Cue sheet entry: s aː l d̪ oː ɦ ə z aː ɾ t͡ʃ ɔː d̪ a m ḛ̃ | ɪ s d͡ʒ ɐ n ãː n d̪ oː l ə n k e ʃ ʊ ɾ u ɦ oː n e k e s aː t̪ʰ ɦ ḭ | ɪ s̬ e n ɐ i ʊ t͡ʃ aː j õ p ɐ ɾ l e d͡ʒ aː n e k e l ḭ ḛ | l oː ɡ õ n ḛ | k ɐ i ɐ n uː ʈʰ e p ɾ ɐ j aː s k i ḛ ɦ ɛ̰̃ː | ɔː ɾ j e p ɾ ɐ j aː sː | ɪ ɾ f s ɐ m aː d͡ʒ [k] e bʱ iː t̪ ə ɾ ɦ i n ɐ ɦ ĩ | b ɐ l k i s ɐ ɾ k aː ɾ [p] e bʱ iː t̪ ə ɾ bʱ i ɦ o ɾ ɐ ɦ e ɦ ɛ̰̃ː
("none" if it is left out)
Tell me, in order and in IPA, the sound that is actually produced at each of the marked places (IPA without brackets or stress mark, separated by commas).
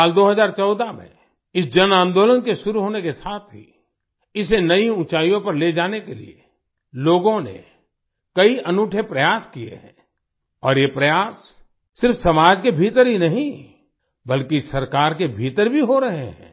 k, k